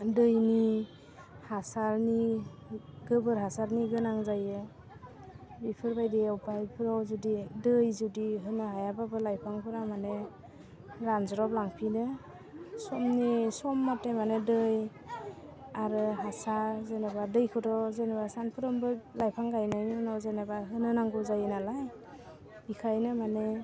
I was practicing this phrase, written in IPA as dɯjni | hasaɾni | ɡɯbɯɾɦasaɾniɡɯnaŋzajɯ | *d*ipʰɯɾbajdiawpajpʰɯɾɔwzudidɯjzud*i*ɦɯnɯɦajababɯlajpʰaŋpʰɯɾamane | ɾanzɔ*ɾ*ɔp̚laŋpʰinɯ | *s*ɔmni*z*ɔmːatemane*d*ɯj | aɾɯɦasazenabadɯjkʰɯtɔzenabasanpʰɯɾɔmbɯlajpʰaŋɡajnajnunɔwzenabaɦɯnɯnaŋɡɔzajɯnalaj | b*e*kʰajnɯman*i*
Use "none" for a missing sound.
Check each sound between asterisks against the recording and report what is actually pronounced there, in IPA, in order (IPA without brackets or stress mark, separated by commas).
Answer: b, i, ɾ, s, s, d, i, e